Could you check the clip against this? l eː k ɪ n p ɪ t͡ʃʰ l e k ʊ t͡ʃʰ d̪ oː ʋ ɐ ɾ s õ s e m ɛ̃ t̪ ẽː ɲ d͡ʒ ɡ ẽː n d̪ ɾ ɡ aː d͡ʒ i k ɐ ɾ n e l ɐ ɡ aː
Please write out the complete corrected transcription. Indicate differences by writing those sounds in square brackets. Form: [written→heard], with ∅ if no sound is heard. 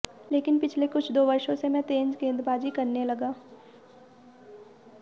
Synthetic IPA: l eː k ɪ n p ɪ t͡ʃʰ l e k ʊ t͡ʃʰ d̪ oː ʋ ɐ ɾ [s→ʃ] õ s e m ɛ̃ t̪ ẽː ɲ d͡ʒ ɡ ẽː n d̪ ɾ [ɡ→b] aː d͡ʒ i k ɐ ɾ n e l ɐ ɡ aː